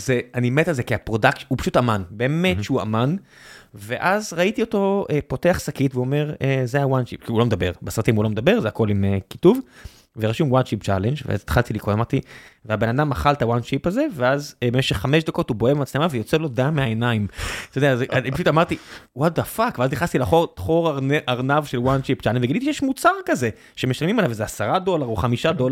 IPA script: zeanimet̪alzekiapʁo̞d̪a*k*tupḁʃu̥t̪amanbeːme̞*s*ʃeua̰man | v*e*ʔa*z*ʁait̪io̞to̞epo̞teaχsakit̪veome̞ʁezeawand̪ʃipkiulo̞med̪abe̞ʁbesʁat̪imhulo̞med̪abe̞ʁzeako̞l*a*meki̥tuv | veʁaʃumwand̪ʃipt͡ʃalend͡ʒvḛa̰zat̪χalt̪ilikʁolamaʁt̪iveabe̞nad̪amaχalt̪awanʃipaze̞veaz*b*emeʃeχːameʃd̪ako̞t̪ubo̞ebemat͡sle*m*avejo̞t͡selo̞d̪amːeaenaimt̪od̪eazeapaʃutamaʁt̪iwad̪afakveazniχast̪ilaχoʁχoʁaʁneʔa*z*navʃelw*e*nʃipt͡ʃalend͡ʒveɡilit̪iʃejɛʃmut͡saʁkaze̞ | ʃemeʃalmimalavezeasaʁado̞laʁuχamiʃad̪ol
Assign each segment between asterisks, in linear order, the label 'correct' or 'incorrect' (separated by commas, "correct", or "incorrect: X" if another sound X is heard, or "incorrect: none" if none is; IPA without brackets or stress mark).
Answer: correct, incorrect: t, correct, correct, incorrect: i, correct, correct, incorrect: ʁ, incorrect: a